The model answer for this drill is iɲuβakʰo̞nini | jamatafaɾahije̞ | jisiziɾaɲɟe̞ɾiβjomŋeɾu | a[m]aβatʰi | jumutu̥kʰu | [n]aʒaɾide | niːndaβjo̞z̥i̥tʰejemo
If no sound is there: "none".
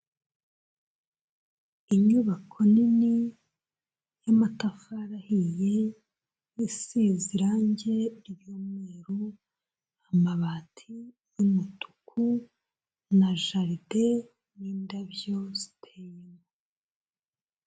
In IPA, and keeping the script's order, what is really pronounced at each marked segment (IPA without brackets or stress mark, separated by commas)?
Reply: m, n